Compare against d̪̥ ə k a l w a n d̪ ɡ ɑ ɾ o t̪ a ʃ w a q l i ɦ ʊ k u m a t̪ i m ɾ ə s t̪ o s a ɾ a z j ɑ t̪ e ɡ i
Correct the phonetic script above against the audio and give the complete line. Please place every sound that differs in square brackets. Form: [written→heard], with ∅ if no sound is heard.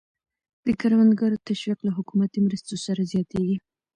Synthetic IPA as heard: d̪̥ ə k a [l→ɾ] w a n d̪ ɡ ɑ ɾ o t̪ a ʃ w [a→i] q l [i→a] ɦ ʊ k u m a t̪ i m ɾ ə s t̪ o s a ɾ a z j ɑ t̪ e ɡ i